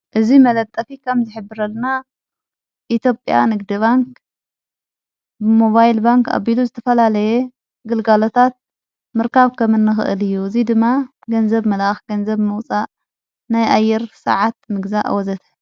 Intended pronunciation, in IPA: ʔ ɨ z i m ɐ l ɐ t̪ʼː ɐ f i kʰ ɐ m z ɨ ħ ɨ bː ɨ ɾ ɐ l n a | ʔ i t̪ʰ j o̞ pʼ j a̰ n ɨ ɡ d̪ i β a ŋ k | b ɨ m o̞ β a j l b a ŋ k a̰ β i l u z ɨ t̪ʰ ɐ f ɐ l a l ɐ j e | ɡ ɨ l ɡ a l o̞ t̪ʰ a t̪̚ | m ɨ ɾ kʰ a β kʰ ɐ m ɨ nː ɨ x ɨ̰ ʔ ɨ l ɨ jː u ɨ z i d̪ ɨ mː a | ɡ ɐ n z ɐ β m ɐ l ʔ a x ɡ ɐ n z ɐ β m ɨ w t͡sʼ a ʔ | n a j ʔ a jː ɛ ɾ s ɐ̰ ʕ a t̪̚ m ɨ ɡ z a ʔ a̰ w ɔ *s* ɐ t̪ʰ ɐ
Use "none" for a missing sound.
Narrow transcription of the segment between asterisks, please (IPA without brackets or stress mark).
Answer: z